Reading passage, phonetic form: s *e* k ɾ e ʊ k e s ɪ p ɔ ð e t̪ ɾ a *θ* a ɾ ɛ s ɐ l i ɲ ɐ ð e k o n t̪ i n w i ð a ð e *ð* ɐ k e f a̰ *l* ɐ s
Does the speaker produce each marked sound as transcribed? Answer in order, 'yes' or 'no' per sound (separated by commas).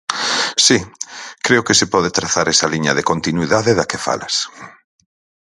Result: no, yes, yes, yes